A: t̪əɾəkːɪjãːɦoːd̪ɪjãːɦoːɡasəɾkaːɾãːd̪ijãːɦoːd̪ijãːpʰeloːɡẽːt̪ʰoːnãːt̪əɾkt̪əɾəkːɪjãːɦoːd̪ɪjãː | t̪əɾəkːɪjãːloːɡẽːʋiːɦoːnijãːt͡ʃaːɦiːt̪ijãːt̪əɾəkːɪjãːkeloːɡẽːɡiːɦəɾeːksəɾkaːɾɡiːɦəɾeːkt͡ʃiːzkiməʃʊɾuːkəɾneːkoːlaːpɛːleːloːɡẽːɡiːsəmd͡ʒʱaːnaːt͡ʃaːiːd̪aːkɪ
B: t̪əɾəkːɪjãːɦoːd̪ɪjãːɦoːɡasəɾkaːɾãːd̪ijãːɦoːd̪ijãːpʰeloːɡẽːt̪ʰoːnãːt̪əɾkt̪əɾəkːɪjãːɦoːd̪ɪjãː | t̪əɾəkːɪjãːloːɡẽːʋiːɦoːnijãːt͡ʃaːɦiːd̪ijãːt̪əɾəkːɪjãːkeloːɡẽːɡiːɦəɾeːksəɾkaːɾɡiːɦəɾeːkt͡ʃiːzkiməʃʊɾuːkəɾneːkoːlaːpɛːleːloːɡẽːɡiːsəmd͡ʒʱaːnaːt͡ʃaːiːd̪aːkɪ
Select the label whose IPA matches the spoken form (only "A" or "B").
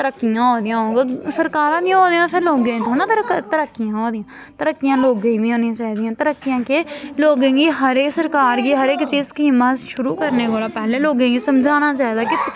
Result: B